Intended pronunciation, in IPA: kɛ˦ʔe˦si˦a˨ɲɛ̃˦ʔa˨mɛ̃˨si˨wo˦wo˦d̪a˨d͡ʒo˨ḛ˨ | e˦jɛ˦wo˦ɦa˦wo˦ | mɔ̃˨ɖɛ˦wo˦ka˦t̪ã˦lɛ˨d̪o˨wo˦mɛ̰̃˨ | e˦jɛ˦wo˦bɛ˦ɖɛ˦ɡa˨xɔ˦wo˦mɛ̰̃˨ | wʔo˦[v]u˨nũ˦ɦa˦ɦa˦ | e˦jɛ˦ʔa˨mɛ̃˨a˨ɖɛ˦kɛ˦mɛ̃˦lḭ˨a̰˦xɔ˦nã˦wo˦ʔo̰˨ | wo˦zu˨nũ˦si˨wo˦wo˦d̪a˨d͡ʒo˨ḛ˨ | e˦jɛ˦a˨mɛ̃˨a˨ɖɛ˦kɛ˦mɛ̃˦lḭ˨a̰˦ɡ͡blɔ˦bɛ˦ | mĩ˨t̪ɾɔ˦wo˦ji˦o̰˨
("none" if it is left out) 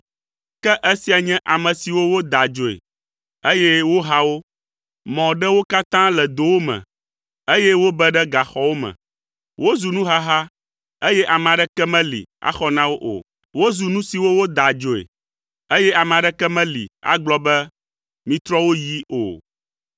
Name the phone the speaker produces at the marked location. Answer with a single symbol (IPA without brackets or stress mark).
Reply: z